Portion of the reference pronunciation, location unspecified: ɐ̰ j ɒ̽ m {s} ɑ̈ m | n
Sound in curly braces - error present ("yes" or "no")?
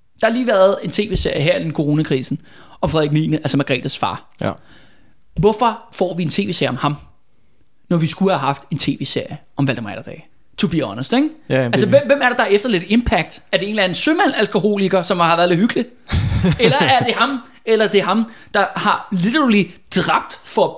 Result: yes